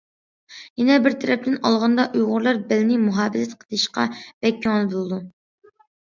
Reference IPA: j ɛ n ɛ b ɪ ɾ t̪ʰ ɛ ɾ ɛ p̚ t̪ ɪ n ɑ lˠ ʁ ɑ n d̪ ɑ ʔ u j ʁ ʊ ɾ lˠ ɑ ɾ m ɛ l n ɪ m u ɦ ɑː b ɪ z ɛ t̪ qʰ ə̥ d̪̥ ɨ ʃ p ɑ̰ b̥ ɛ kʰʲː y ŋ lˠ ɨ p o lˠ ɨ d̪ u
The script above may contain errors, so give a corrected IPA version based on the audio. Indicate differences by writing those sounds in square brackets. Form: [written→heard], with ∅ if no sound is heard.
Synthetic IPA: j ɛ n ɛ b ɪ ɾ t̪ʰ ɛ ɾ ɛ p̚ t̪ ɪ n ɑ lˠ ʁ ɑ n d̪ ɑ ʔ u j ʁ ʊ ɾ lˠ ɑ ɾ [m→b] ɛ l n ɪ m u ɦ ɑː b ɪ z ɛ t̪ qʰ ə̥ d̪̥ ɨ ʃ [p→q] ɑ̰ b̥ ɛ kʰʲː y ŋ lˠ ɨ [p→b] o lˠ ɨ d̪ u